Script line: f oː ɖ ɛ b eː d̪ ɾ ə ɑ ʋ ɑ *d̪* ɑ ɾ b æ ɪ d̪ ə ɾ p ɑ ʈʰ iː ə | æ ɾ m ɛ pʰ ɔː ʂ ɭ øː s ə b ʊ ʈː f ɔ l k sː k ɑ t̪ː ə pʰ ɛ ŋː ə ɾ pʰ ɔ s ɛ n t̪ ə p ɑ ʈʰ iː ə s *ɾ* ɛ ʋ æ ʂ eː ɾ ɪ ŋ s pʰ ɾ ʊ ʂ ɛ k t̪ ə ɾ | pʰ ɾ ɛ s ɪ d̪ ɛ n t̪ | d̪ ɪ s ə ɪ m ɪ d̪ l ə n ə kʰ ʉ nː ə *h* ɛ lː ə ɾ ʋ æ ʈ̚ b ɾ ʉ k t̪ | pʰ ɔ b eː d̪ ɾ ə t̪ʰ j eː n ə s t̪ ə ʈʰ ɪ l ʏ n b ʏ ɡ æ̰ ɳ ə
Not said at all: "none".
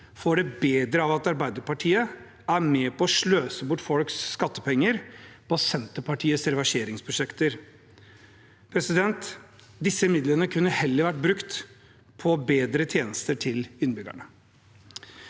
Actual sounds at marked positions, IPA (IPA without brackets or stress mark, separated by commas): t̪, ɾ, h